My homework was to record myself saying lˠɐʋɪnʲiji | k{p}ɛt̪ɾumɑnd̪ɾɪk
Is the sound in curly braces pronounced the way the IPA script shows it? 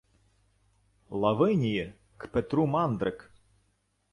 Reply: yes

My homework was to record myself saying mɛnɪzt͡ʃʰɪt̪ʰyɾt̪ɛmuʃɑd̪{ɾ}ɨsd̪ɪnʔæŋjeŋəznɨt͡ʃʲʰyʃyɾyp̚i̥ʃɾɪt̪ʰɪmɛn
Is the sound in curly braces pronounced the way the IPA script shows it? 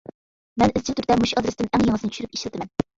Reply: yes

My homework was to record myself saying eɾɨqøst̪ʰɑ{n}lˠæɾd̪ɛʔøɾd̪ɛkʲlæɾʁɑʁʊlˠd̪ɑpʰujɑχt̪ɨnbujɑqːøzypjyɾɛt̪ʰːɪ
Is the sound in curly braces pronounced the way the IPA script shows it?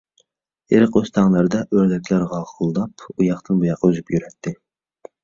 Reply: no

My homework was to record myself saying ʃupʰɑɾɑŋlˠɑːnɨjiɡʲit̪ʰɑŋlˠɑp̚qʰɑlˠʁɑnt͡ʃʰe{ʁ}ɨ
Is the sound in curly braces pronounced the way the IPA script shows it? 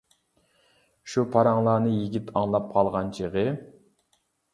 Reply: yes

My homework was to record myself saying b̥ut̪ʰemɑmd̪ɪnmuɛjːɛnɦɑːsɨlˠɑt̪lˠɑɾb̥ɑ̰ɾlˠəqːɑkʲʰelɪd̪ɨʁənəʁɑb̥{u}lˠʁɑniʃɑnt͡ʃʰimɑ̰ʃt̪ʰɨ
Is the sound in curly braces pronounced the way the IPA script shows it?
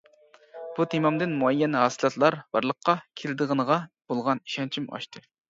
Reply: no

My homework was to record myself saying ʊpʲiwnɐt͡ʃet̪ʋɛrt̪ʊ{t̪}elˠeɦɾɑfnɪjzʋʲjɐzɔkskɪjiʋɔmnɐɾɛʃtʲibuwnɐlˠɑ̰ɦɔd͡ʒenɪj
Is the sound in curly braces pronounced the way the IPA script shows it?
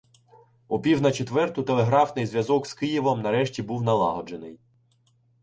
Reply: yes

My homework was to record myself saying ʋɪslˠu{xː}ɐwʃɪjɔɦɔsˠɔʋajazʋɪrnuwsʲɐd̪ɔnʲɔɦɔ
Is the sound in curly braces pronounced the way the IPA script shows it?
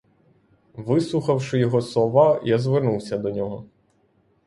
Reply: no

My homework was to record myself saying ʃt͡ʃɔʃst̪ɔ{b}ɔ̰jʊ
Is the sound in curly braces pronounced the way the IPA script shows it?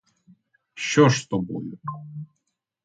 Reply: yes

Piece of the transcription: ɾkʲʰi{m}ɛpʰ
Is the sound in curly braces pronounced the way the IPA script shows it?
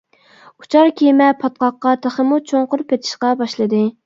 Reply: yes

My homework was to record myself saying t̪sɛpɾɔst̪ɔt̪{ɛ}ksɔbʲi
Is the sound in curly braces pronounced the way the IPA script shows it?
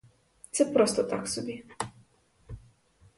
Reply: no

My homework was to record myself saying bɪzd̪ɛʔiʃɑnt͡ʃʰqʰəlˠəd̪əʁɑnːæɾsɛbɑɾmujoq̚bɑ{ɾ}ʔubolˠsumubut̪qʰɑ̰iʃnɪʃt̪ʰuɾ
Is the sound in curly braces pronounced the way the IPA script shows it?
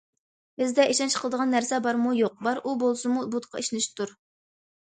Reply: yes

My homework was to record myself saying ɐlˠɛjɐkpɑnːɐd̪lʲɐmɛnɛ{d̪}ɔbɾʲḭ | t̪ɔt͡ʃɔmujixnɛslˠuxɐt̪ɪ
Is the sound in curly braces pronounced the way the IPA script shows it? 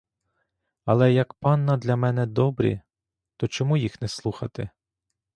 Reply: yes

